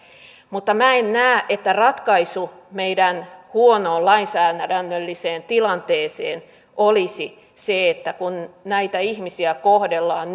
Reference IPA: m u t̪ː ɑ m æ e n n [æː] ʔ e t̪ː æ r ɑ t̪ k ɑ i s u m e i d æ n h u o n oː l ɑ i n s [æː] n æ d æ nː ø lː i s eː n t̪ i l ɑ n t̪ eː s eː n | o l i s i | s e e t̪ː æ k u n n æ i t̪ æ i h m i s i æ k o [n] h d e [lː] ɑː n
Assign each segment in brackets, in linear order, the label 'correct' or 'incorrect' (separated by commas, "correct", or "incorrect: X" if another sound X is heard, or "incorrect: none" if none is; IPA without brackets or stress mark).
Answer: correct, correct, incorrect: none, correct